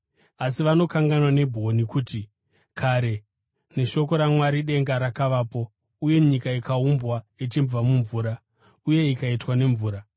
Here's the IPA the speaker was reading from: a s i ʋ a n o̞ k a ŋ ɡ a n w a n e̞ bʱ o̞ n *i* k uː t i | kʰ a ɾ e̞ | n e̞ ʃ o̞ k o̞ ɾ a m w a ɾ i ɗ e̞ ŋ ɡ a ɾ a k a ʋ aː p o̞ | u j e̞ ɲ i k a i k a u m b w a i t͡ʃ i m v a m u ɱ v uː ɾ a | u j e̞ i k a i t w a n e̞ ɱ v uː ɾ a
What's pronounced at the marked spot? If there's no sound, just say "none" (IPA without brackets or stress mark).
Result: i